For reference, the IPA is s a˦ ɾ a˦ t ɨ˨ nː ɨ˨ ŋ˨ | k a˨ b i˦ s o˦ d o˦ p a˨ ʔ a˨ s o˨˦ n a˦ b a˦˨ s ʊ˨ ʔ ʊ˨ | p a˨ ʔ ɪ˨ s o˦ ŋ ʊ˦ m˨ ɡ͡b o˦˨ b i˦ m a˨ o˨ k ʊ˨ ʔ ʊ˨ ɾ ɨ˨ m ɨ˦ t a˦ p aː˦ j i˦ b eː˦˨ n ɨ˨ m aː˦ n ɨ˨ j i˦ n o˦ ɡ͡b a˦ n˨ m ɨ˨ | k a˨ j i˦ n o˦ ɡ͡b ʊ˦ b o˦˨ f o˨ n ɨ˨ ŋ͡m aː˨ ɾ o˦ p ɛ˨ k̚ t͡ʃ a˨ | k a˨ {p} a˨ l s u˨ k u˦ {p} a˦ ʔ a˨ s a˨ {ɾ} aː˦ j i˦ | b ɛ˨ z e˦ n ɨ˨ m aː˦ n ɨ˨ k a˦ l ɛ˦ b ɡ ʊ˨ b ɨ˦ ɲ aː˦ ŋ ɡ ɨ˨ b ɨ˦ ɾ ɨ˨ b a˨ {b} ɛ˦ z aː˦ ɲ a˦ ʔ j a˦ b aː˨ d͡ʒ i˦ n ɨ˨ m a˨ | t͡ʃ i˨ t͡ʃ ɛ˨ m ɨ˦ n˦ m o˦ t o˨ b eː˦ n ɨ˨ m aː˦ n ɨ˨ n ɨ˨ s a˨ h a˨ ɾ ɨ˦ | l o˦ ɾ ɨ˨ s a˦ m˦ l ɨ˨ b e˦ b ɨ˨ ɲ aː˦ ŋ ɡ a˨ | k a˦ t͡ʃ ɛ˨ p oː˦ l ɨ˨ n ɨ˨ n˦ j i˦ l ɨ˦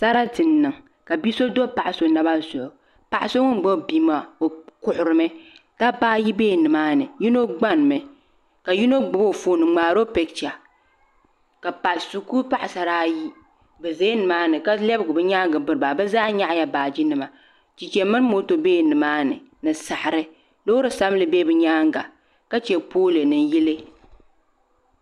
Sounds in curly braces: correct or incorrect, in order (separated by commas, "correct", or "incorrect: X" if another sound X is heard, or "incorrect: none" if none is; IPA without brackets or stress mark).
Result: correct, correct, correct, correct